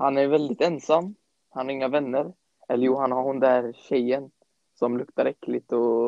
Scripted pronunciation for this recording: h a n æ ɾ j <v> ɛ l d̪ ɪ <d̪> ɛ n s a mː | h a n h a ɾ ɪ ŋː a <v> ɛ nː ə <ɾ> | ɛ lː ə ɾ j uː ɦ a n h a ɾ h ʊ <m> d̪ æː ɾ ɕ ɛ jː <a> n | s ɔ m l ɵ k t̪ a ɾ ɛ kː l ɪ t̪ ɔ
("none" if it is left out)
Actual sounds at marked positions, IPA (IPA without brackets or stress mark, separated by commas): v, t̪, v, ɾ, n, ə